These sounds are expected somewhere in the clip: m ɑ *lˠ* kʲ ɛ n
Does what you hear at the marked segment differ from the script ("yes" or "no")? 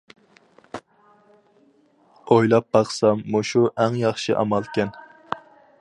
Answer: no